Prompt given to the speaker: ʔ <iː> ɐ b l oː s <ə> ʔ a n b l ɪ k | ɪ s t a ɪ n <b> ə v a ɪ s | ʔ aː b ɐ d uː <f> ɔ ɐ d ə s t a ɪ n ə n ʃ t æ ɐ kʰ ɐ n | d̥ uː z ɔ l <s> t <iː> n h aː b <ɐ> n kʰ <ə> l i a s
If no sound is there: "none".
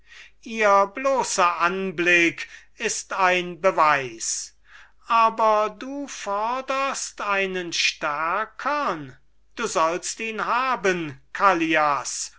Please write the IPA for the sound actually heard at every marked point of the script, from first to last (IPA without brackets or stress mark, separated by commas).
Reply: iː, ɐ, b, f, s, iː, ə, a